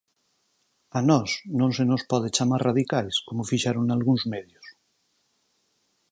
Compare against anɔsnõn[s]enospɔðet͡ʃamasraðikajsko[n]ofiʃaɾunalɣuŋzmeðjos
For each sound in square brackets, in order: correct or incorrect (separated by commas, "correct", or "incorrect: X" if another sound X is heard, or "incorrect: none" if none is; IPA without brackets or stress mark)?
correct, incorrect: m